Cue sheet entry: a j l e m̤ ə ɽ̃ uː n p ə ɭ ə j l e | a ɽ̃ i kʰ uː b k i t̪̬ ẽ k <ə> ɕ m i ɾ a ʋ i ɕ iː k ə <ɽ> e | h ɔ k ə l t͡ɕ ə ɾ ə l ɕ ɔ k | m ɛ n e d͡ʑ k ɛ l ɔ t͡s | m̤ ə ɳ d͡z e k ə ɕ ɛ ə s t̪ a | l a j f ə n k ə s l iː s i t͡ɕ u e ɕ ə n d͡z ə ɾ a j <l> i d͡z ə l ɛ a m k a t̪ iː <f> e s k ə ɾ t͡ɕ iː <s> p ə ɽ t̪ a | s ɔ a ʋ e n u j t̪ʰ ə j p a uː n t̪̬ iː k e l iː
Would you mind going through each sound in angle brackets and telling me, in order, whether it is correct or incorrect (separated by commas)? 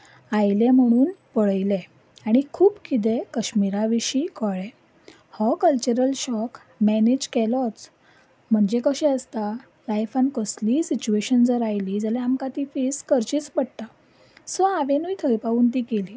correct, incorrect, correct, correct, incorrect